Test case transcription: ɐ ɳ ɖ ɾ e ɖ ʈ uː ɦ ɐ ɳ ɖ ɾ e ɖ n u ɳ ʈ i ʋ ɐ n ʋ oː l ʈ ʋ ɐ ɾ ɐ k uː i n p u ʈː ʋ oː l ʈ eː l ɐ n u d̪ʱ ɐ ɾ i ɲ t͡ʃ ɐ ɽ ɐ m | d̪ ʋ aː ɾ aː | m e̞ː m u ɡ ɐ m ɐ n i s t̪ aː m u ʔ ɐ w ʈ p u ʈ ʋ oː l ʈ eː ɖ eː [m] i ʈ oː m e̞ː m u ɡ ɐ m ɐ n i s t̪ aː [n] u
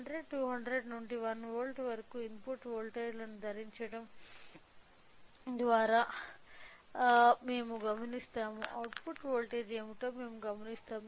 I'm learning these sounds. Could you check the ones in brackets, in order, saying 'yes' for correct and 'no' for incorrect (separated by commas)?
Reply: yes, no